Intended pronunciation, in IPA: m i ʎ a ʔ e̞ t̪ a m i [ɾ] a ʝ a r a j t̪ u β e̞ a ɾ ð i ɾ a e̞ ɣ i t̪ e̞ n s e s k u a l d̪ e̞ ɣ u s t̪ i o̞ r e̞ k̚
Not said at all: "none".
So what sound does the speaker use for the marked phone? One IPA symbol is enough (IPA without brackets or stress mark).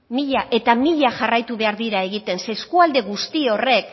ʎ